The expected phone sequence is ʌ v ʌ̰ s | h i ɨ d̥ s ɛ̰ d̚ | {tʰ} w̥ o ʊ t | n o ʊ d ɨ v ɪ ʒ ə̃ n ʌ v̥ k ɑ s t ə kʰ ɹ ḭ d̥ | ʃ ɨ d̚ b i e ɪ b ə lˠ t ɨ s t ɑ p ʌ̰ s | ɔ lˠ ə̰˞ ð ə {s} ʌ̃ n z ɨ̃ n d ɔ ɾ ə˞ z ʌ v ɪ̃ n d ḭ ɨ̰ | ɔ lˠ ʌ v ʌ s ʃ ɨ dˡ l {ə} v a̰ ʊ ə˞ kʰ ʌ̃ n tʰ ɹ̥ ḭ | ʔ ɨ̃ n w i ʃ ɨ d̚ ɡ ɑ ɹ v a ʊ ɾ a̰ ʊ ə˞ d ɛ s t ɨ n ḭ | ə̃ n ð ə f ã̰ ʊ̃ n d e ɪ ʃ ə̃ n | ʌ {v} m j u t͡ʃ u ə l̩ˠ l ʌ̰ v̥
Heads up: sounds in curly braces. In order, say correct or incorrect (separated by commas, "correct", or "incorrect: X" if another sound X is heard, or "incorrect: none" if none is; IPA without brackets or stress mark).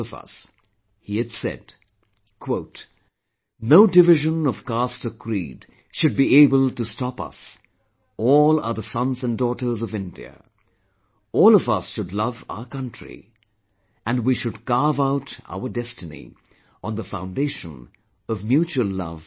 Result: incorrect: kʰ, correct, incorrect: ʌ, correct